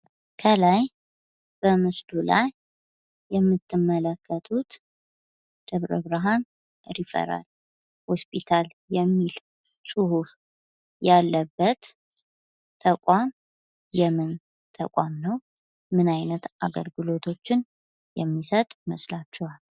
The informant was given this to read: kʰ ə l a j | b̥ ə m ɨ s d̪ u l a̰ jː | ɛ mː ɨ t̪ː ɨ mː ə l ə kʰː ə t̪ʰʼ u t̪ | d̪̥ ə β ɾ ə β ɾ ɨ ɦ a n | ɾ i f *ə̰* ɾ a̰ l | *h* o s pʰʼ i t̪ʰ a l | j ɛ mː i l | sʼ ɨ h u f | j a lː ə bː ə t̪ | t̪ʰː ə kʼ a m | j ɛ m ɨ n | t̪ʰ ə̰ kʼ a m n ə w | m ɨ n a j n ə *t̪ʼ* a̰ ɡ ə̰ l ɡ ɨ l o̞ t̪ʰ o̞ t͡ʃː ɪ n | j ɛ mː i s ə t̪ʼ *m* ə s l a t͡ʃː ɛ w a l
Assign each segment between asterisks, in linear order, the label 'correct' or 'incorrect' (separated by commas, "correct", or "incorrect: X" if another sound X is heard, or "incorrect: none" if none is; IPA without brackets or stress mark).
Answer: correct, correct, incorrect: t̪, correct